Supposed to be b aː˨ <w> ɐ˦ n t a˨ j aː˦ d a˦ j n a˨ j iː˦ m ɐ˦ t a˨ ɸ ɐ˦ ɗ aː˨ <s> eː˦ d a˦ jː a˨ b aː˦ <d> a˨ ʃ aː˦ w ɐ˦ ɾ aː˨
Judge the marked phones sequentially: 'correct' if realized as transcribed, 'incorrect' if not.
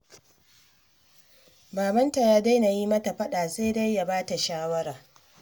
incorrect: b, correct, incorrect: t

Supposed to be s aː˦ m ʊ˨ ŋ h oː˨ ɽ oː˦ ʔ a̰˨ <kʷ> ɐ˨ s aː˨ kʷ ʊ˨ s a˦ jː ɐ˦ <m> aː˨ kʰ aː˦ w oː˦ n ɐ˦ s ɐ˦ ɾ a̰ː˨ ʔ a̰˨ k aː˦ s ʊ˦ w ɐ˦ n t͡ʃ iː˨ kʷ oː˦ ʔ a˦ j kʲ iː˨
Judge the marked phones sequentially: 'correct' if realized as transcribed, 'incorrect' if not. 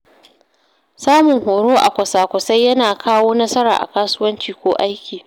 correct, incorrect: n

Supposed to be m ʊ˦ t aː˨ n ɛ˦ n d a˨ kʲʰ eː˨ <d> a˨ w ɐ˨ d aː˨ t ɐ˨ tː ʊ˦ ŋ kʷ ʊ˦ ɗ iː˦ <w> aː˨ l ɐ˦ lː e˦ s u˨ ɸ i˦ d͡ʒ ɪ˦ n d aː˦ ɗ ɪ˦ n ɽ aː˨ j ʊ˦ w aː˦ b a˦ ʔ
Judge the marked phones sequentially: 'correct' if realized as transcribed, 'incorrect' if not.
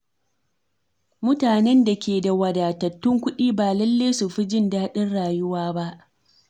correct, incorrect: b

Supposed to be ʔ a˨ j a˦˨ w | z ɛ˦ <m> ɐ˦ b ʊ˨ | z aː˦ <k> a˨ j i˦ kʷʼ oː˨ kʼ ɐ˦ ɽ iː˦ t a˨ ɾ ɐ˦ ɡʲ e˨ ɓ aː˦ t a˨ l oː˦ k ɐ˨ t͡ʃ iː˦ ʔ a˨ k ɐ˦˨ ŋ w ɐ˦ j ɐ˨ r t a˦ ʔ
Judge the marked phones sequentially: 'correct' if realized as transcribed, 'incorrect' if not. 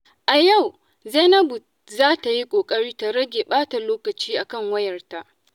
incorrect: n, incorrect: t

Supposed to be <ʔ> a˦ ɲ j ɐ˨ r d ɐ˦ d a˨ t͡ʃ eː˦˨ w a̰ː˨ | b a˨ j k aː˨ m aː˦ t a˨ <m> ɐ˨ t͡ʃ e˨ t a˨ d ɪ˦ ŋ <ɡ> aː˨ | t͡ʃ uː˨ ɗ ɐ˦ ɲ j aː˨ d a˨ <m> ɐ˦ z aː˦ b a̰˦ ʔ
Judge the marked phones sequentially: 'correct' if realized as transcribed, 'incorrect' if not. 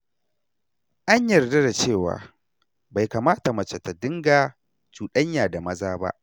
correct, correct, correct, correct

